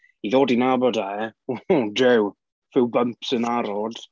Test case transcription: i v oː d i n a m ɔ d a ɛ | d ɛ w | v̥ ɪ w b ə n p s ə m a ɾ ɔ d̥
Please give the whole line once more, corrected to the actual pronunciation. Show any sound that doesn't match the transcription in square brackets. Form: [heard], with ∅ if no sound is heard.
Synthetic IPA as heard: i [ð] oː d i n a [b] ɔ d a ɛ | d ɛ w | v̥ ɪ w b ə [m] p s ə [n] a ɾ ɔ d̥